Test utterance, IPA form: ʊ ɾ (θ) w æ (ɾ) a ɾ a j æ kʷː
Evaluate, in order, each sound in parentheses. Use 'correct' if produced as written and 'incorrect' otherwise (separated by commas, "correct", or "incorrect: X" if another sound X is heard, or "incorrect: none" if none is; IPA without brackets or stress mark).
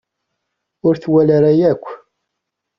correct, incorrect: l